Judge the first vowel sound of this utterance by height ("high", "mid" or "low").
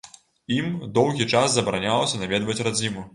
high